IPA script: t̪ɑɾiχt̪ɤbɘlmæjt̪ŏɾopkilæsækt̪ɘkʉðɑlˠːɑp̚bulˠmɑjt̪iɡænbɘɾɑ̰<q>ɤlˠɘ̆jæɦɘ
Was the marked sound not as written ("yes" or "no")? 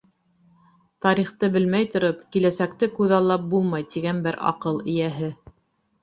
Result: no